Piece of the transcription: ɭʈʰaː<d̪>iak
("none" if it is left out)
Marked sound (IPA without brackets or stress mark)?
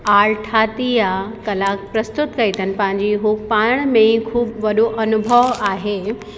t̪